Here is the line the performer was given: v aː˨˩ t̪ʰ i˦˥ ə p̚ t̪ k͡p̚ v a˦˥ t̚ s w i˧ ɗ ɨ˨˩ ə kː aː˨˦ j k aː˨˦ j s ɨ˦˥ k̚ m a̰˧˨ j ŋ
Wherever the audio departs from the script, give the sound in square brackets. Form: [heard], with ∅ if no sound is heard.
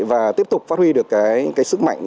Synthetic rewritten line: v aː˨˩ [t̪] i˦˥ ə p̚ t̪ k͡p̚ [f] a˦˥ t̚ [h] w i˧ ɗ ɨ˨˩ ə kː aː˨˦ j k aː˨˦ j s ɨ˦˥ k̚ m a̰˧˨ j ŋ